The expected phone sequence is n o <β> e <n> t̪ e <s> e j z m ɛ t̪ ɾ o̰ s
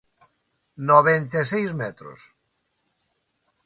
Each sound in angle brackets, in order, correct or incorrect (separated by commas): correct, correct, correct